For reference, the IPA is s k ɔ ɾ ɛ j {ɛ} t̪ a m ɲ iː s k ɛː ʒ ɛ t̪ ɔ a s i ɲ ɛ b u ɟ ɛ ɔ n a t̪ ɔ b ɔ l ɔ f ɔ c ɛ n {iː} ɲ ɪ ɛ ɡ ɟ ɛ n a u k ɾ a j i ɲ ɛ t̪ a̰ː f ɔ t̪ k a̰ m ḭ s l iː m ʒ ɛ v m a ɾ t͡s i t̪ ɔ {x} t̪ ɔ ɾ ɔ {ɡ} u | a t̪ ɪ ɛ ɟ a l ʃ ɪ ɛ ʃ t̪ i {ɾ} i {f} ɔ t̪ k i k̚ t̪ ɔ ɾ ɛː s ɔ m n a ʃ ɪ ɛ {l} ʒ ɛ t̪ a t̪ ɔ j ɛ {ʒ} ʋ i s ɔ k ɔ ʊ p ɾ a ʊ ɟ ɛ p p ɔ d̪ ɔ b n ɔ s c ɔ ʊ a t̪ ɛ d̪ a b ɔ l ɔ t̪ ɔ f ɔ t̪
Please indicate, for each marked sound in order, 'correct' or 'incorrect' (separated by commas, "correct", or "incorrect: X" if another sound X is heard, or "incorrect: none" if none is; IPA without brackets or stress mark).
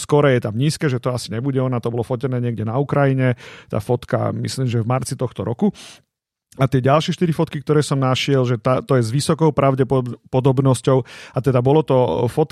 correct, incorrect: ɛː, correct, incorrect: k, correct, correct, correct, incorrect: z